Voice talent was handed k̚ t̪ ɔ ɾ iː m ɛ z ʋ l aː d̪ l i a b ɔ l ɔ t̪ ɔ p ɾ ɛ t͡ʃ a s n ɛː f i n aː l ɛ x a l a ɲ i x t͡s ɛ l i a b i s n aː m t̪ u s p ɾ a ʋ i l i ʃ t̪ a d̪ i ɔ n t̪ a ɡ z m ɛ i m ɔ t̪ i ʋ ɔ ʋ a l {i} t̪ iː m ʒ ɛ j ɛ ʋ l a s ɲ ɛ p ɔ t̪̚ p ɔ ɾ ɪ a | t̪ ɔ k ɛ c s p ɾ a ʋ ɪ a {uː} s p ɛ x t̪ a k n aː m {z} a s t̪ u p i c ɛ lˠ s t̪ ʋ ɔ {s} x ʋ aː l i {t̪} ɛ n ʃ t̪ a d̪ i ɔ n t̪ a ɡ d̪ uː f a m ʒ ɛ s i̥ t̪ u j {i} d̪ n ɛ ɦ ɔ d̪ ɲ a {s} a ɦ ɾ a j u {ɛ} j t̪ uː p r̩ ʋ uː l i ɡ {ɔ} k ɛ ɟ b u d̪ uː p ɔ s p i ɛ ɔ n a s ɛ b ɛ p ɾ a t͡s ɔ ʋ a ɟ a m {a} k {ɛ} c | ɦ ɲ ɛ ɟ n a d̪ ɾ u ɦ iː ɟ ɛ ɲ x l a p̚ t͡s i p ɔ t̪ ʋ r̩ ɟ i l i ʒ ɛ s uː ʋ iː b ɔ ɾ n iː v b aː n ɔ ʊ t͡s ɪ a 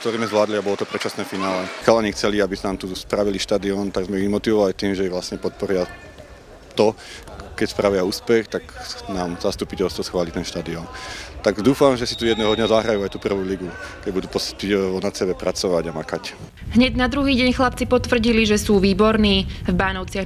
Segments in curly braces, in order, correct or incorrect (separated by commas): correct, correct, correct, correct, correct, incorrect, incorrect, incorrect, incorrect, correct, incorrect